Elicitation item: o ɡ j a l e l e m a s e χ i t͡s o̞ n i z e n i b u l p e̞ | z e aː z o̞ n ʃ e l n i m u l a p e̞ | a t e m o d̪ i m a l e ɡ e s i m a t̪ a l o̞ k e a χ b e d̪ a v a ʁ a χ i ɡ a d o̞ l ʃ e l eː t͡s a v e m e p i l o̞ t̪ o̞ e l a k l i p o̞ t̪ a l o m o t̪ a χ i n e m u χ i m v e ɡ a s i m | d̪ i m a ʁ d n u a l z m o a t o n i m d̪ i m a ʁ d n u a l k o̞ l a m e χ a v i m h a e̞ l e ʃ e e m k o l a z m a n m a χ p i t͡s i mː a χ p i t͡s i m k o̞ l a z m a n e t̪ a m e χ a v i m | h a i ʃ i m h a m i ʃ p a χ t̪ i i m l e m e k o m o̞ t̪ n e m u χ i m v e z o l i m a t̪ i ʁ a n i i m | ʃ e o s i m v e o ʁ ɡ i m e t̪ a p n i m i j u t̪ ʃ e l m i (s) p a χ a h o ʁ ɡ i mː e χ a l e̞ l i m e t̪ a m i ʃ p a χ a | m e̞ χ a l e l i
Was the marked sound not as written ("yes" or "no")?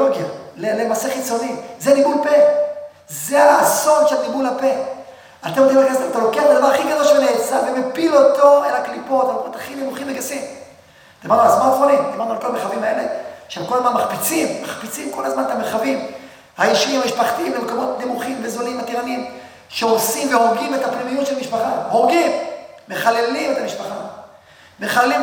yes